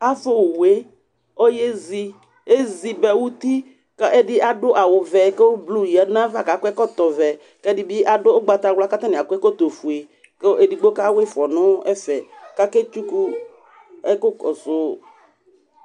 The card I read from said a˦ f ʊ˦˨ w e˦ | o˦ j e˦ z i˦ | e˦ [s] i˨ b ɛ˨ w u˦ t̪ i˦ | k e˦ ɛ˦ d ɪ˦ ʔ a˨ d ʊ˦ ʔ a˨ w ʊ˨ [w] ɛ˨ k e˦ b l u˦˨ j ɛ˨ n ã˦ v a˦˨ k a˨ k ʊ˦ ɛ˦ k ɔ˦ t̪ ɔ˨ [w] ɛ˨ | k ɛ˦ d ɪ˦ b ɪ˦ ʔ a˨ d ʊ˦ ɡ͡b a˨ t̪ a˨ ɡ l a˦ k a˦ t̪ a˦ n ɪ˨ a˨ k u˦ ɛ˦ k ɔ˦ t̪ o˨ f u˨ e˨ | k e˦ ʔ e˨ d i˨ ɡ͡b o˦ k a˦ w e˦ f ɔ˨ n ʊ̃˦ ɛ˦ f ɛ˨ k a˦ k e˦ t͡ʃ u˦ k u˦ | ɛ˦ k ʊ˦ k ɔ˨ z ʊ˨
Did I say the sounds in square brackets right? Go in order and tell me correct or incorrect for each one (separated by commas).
incorrect, incorrect, incorrect